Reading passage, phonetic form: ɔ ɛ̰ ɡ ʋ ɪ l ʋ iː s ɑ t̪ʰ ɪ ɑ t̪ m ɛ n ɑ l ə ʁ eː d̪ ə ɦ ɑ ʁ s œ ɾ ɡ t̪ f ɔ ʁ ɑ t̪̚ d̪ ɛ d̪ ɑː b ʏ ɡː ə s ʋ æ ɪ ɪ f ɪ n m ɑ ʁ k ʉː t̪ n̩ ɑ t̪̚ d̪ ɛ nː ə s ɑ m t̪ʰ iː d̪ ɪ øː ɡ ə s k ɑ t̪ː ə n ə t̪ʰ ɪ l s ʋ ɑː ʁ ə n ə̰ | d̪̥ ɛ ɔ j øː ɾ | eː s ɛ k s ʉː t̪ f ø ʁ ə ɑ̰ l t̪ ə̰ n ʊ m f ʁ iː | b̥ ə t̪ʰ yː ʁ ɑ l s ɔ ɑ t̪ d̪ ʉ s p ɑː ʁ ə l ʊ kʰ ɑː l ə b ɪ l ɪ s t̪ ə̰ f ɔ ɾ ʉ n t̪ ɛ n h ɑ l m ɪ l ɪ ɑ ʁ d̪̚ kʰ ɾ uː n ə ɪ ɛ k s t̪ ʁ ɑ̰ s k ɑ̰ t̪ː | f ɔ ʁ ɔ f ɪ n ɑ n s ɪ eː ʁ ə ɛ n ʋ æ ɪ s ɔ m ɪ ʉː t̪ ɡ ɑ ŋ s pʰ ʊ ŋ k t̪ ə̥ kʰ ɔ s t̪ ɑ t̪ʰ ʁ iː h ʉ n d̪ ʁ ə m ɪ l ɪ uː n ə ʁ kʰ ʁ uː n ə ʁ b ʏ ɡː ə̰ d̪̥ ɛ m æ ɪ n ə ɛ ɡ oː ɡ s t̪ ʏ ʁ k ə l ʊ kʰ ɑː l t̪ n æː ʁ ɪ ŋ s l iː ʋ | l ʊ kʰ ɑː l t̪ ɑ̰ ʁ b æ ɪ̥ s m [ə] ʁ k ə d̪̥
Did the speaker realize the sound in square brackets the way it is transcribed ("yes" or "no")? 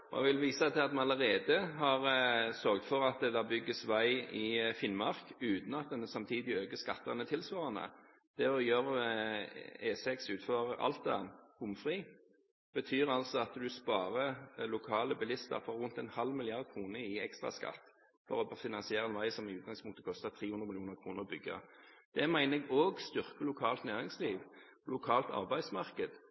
no